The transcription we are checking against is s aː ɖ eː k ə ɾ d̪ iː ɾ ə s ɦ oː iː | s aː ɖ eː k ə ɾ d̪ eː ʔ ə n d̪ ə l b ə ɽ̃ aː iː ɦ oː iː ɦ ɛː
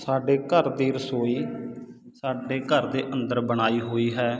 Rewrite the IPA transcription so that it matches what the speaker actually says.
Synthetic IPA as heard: s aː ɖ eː k ə ɾ d̪ iː ɾ ə s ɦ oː iː | s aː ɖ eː k ə ɾ d̪ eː ʔ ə n d̪ ə ɾ b ə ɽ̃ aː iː ɦ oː iː ɦ ɛː